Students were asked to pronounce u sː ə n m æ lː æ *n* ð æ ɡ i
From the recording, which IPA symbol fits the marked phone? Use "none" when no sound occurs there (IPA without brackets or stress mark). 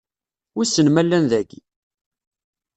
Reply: n